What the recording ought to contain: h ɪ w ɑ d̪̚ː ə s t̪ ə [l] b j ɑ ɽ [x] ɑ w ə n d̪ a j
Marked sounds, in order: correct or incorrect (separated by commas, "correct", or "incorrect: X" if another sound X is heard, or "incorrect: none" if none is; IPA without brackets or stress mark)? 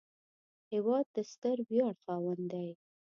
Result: incorrect: ɾ, correct